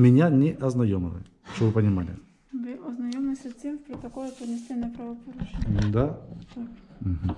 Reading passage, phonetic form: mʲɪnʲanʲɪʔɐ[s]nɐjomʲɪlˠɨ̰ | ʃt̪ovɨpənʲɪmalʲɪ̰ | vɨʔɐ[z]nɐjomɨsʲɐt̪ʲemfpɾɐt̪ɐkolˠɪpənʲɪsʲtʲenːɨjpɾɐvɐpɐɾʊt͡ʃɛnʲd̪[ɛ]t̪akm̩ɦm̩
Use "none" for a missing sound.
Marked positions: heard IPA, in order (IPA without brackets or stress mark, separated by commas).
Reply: z, z, a